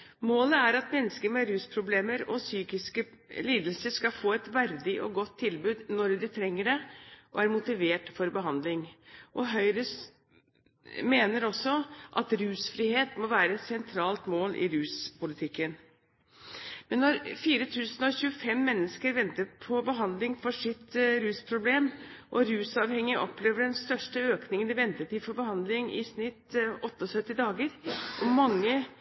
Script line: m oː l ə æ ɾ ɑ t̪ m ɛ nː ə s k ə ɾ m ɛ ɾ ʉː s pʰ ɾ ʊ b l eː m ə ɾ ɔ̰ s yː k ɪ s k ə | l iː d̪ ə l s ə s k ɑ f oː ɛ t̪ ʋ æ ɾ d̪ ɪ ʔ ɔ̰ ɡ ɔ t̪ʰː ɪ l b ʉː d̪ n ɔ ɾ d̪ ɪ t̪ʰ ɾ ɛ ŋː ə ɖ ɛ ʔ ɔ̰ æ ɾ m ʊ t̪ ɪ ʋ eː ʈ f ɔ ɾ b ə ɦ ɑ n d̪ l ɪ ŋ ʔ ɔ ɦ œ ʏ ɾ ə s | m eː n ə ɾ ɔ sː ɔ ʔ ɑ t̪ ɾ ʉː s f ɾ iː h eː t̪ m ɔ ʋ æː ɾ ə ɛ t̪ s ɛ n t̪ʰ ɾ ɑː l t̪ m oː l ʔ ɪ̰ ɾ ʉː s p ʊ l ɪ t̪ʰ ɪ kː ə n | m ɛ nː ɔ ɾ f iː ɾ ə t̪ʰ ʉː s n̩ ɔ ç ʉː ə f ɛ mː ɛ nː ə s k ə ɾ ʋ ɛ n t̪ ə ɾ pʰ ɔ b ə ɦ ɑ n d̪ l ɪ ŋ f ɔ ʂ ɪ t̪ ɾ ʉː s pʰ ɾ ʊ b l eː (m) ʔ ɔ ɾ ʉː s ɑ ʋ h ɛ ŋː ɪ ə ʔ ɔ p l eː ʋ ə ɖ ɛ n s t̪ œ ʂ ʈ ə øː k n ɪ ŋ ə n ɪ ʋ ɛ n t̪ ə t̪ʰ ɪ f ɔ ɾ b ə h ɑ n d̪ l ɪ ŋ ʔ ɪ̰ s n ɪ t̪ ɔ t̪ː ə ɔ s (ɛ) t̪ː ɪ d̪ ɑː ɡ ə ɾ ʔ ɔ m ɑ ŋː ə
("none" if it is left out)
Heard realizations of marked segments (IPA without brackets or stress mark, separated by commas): m, œ